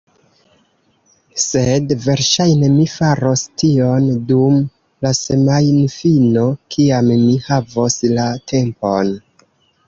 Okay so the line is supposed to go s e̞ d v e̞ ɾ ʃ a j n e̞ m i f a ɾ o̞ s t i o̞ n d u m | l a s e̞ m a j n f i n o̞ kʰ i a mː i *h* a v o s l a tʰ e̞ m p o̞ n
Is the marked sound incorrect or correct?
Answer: correct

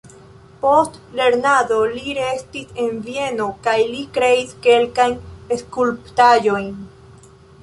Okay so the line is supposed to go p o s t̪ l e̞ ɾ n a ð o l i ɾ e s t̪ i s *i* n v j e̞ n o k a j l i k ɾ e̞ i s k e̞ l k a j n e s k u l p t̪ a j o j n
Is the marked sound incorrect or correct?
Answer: incorrect: e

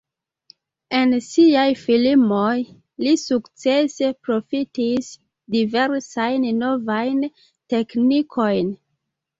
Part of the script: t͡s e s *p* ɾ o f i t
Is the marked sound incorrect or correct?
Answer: correct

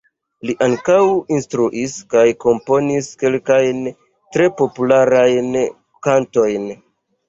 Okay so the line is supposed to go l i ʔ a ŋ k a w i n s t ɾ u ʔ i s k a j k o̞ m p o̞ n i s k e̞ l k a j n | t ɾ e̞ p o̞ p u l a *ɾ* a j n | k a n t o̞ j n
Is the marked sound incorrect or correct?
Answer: correct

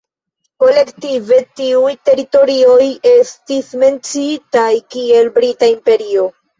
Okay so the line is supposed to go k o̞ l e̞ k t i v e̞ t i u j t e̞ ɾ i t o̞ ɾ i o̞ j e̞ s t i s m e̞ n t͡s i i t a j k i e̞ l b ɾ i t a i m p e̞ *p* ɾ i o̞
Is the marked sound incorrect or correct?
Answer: incorrect: none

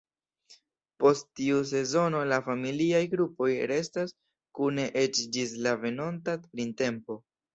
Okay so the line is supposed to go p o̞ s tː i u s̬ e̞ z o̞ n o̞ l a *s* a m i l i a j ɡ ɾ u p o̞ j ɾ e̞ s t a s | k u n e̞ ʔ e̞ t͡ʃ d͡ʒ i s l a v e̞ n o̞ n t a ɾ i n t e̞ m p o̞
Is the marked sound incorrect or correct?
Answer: incorrect: f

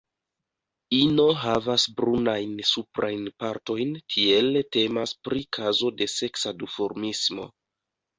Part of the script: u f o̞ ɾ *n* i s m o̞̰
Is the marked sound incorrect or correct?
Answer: incorrect: m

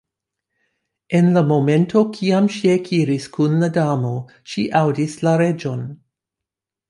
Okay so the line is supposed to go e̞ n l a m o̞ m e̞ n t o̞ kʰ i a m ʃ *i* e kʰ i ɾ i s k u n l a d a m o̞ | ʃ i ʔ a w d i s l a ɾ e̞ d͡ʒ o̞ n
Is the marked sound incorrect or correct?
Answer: correct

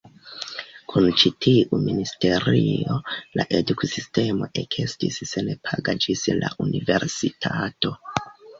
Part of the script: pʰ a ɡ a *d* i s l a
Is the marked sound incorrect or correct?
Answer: incorrect: d͡ʒ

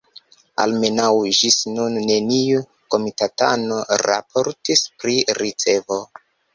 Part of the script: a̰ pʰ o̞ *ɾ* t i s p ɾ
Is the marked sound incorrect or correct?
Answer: correct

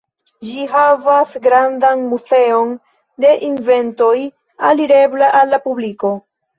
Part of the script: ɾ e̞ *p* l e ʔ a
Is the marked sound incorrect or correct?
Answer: incorrect: b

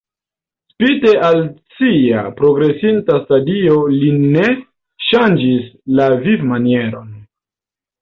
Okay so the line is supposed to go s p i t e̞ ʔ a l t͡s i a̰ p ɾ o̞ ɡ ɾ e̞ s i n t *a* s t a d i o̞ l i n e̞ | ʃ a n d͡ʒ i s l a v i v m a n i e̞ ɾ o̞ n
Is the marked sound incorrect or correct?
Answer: correct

